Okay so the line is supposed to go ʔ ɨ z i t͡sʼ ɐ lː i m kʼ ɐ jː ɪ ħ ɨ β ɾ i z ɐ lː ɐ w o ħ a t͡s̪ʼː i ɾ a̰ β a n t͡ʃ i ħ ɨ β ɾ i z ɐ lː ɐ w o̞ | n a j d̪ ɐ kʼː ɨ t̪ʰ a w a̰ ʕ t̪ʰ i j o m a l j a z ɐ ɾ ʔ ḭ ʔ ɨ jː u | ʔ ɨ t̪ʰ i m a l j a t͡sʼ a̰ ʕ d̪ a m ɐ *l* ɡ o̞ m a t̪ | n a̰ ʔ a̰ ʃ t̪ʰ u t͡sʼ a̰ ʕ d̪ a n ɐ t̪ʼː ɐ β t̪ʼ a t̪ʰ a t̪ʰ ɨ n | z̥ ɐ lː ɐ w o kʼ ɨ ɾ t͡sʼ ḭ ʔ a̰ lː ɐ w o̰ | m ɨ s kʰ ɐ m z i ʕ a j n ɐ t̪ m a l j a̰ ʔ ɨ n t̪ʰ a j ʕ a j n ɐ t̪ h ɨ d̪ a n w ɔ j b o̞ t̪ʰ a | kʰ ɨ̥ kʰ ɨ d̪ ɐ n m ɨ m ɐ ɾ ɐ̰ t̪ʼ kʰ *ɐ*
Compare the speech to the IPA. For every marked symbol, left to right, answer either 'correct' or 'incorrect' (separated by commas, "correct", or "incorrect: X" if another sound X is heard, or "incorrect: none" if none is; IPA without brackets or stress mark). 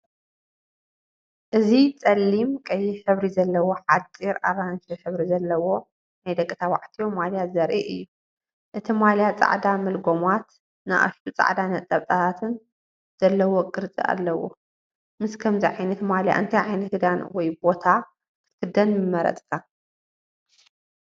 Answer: correct, incorrect: a